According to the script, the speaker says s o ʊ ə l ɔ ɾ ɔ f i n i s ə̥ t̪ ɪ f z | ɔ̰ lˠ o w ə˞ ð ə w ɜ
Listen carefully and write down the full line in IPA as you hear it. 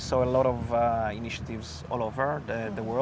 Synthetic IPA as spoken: s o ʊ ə l ɔ ɾ ɔ v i n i ʃ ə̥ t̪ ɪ v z | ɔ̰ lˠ o v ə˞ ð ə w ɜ